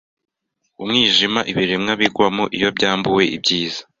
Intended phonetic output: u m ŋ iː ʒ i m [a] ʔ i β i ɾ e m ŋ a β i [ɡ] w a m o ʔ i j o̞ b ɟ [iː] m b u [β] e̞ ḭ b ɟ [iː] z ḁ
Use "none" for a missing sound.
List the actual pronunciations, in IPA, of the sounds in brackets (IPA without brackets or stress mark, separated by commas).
a, ɡ, aː, w, iː